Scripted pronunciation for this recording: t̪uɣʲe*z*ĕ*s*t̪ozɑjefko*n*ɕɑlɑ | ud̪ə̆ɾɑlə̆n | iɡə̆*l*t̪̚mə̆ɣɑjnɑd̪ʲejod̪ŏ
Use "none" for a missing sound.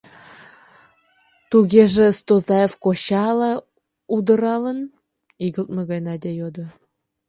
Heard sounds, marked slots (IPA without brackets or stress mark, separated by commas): ʒ, s, none, l